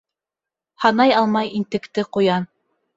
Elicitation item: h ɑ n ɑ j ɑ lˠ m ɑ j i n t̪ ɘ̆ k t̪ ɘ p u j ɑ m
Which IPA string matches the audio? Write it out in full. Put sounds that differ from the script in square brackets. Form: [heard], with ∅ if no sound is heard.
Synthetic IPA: h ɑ n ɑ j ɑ lˠ m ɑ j i n t̪ ɘ̆ k t̪ ɘ [q] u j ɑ [n]

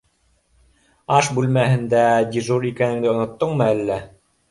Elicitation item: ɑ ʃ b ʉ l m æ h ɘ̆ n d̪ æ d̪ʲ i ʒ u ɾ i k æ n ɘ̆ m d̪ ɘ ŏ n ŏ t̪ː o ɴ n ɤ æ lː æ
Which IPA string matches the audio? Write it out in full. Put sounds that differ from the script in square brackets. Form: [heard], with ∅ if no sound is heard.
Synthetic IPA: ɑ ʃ b ʉ l m æ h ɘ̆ n d̪ æ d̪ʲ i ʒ u ɾ i k æ n ɘ̆ [ŋ] d̪ ɘ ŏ n ŏ t̪ː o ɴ [m] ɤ æ lː æ

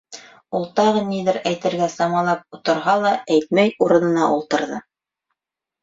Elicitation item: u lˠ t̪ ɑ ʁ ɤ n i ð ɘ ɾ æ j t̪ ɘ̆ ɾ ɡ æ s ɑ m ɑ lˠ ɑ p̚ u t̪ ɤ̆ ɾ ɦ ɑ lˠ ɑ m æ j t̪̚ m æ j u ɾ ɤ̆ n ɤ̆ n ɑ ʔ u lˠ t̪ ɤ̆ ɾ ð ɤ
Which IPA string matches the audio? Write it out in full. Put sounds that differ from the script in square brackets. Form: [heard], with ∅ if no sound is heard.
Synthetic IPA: u lˠ t̪ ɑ ʁ ɤ n i ð ɘ ɾ æ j t̪ ɘ̆ ɾ ɡ æ s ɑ m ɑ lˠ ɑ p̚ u t̪ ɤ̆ ɾ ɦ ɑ lˠ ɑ [∅] æ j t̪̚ m æ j u ɾ ɤ̆ n ɤ̆ n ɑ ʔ u lˠ t̪ ɤ̆ ɾ ð ɤ

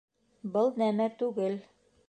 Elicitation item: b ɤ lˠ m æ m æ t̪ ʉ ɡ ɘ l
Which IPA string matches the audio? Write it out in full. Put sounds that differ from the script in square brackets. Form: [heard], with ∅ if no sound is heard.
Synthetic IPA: b ɤ lˠ [n] æ m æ t̪ ʉ ɡ ɘ l

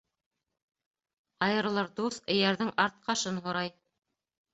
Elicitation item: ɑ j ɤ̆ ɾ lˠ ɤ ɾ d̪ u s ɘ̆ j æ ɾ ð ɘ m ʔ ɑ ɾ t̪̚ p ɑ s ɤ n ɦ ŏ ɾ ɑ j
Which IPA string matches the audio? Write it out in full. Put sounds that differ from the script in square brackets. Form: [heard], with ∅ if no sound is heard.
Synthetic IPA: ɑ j ɤ̆ ɾ lˠ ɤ ɾ d̪ u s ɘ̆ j æ ɾ ð ɘ [ŋ] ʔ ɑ ɾ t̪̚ [q] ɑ [ʃ] ɤ n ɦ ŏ ɾ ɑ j

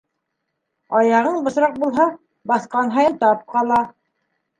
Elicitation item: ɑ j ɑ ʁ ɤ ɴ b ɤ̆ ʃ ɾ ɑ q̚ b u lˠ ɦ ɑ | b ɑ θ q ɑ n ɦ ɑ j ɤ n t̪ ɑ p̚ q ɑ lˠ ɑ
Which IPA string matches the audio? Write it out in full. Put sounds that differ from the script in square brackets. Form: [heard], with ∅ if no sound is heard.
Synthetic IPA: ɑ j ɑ ʁ ɤ ɴ b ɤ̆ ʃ ɾ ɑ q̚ b u lˠ ɦ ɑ | b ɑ θ q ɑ n ɦ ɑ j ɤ n t̪ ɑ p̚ q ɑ lˠ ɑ

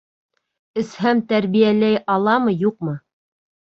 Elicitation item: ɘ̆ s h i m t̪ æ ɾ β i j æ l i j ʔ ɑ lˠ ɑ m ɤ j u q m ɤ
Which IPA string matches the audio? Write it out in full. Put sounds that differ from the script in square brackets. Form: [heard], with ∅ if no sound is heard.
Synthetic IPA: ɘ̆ s h [æ] m t̪ æ ɾ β i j æ l [æ] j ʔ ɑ lˠ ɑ m ɤ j u q m ɤ

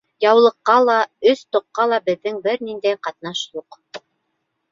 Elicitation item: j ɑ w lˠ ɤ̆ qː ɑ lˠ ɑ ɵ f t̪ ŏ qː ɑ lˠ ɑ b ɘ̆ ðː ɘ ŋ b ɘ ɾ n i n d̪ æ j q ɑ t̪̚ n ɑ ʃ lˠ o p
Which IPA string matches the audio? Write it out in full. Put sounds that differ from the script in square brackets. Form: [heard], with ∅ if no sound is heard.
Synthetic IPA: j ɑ w lˠ ɤ̆ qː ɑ lˠ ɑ ɵ [s] t̪ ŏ qː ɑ lˠ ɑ b ɘ̆ ðː ɘ ŋ b ɘ ɾ n i n d̪ æ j q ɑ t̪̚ n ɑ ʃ lˠ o [q]

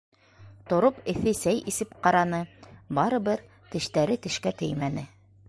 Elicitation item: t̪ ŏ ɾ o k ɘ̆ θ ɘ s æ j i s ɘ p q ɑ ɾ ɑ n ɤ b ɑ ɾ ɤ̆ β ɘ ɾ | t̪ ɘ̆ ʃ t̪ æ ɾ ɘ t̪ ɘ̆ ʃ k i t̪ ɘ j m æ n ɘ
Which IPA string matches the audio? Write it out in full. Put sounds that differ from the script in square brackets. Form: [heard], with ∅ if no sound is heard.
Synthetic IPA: t̪ ŏ ɾ o [p] ɘ̆ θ ɘ s æ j i s ɘ p q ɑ ɾ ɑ n ɤ b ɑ ɾ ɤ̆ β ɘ ɾ | t̪ ɘ̆ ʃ t̪ æ ɾ ɘ t̪ ɘ̆ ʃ k [æ] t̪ ɘ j m æ n ɘ

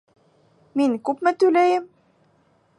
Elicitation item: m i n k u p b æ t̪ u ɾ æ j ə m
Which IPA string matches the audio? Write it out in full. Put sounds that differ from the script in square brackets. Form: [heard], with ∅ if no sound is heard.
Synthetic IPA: m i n k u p [m] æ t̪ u [l] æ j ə m

